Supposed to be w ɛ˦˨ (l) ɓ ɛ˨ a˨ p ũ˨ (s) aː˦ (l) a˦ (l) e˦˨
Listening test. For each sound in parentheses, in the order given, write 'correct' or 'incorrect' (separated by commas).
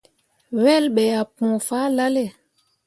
correct, incorrect, correct, correct